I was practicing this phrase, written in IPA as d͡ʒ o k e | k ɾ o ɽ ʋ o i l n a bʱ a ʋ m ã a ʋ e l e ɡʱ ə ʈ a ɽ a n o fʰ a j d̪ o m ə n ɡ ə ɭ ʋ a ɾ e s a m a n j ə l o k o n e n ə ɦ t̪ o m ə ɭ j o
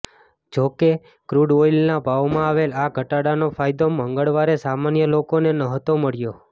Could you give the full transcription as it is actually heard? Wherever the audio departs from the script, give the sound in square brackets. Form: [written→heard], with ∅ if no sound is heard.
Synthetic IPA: d͡ʒ o k e | k ɾ [o→u] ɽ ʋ o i l n a bʱ a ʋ m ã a ʋ e l [e→a] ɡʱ ə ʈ a ɽ a n o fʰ a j d̪ o m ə [n→ŋ] ɡ ə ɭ ʋ a ɾ e s a m a n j ə l o k o n e n ə ɦ t̪ o m ə ɭ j o